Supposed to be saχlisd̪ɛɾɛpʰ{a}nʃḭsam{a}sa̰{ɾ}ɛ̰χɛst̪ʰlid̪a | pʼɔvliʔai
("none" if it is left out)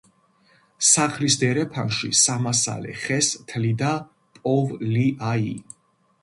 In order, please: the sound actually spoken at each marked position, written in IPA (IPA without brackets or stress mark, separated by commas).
a, a, l